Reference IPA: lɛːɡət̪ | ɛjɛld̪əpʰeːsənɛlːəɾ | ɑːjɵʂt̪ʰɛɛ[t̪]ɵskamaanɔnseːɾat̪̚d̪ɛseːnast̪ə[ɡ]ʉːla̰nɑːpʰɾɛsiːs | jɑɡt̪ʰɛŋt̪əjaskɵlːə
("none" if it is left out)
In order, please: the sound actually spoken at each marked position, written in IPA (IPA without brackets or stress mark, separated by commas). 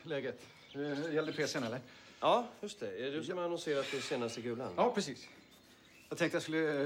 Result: d̪, ɡ